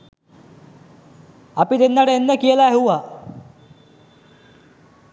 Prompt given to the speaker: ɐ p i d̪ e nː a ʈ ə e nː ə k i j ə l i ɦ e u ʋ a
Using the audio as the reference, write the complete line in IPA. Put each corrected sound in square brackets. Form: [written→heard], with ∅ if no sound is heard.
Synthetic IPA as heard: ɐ p i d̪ e nː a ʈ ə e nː ə k i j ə l [i→a] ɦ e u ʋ a